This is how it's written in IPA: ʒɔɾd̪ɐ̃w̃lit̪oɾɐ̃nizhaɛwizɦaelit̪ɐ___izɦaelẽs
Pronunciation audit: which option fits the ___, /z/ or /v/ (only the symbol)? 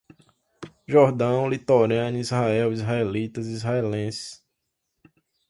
z